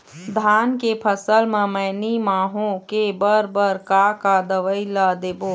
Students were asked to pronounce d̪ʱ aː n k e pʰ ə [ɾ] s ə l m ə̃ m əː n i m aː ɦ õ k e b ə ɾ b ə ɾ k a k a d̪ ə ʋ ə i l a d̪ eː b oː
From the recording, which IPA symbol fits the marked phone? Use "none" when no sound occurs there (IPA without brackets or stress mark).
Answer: none